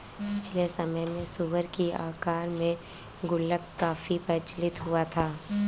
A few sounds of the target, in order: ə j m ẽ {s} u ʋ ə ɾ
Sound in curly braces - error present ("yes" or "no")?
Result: no